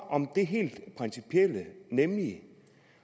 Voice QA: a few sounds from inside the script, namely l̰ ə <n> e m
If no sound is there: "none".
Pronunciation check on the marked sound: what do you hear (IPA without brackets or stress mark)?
n